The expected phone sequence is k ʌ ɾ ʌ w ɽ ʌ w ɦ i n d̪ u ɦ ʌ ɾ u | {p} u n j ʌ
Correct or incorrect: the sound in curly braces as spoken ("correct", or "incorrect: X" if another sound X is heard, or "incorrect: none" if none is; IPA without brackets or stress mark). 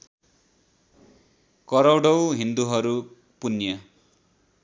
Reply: correct